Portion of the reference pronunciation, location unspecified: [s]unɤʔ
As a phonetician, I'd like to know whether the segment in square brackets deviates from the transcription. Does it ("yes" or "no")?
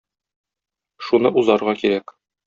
yes